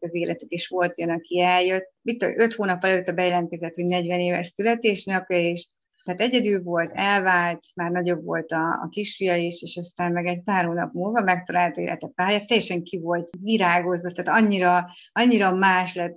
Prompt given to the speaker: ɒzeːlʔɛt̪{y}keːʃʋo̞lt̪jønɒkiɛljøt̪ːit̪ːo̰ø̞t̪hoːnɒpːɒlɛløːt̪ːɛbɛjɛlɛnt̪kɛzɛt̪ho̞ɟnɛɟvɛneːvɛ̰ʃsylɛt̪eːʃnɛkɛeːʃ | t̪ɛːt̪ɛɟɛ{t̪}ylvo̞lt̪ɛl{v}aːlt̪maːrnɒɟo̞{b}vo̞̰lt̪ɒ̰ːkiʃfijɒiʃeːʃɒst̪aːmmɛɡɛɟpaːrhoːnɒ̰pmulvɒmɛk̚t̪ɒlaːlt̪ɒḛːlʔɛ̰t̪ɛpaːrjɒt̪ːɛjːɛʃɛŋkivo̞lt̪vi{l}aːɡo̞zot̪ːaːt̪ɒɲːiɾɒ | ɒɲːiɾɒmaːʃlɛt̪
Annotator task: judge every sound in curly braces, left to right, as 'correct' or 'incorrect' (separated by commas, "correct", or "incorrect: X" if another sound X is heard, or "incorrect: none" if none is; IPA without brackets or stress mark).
correct, incorrect: d̪, correct, correct, incorrect: ɾ